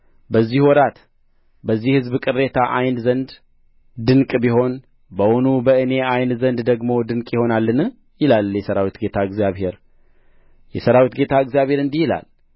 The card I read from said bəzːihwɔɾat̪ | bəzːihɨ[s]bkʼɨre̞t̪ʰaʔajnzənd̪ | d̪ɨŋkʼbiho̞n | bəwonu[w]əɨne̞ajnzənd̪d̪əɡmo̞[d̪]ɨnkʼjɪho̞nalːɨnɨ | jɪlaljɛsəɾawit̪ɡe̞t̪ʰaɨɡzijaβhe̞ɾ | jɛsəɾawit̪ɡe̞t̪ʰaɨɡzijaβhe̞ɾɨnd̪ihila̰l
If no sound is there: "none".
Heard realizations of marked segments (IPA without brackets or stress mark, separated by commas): z, b, d̪